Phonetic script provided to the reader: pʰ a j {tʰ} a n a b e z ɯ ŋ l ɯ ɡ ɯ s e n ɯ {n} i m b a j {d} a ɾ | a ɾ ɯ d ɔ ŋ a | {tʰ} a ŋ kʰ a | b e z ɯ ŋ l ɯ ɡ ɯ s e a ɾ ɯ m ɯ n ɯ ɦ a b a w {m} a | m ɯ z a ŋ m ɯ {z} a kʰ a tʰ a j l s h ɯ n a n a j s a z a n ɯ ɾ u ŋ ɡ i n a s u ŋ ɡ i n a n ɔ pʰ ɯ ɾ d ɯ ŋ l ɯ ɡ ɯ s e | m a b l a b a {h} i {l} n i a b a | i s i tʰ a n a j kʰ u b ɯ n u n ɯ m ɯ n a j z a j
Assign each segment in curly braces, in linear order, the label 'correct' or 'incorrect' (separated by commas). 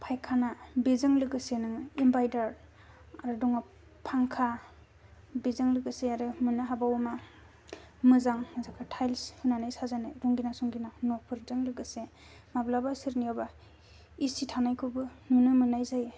incorrect, incorrect, correct, incorrect, correct, correct, incorrect, incorrect